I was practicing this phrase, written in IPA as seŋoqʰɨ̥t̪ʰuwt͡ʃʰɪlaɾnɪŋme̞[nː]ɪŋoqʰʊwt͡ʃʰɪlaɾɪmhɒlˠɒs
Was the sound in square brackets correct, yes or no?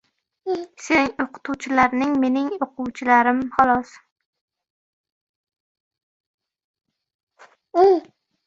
no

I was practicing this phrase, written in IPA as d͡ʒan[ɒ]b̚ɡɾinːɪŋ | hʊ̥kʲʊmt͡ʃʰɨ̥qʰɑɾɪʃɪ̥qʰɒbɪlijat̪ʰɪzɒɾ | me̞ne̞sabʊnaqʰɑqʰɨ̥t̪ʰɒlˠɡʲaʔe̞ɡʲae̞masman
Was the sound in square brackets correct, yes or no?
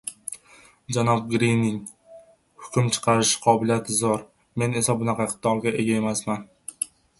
yes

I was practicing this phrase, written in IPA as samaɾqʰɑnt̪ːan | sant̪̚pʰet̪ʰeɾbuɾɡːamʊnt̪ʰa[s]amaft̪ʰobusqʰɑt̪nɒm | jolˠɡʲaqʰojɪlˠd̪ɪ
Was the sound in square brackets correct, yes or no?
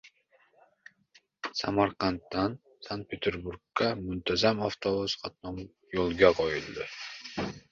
no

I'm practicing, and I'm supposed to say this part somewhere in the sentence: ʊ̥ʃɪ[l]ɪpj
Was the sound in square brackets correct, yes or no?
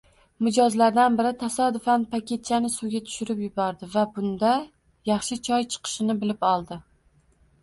no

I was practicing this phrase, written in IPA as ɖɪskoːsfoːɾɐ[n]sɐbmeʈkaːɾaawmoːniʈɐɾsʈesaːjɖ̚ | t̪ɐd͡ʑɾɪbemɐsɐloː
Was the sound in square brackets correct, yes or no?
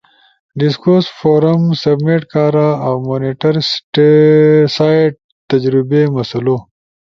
no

